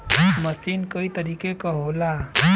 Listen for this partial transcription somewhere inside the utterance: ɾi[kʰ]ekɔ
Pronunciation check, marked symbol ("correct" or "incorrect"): incorrect